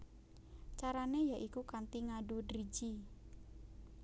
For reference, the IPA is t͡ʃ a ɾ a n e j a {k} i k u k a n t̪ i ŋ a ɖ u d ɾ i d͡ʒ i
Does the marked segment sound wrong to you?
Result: yes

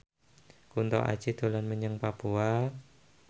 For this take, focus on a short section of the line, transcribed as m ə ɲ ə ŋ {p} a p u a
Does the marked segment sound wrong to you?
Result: no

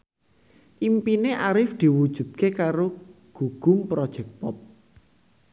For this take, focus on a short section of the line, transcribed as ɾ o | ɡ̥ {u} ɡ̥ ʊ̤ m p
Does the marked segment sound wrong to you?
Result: no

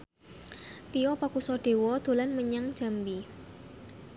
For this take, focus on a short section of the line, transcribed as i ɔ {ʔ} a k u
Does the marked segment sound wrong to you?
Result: yes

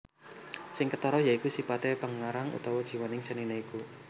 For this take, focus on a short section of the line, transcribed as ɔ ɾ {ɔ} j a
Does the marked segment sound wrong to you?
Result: no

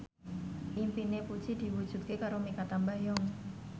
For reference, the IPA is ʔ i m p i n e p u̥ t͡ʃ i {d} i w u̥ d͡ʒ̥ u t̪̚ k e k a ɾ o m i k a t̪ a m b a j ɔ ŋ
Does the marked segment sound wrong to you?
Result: no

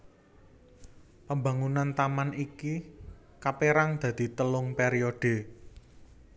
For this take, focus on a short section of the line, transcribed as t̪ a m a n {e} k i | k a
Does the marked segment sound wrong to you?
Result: yes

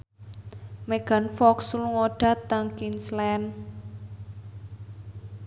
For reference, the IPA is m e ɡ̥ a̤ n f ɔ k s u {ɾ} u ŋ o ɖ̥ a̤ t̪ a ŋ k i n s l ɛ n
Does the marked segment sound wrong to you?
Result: yes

